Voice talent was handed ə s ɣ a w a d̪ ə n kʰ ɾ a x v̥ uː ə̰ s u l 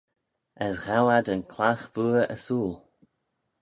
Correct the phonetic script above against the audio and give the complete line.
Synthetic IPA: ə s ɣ a w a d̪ ə n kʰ l a x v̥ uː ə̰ s uː l